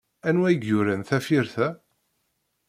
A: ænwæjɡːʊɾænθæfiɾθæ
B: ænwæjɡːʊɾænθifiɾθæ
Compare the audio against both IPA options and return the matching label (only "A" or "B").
A